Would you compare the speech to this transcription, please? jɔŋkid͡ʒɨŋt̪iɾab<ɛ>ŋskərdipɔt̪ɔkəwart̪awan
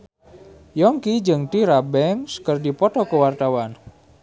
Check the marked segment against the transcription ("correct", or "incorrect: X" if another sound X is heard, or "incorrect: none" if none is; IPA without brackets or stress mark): correct